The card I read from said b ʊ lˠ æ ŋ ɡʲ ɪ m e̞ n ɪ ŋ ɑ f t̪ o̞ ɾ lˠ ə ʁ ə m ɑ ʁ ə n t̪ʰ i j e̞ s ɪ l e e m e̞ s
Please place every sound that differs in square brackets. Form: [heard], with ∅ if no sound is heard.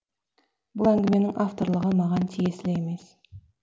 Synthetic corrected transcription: b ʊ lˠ æ ŋ ɡʲ ɪ m e̞ n ɪ ŋ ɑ f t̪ o̞ ɾ lˠ ə ʁ ə m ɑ ʁ [ɑ] n t̪ʰ i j e̞ s ɪ l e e m e̞ s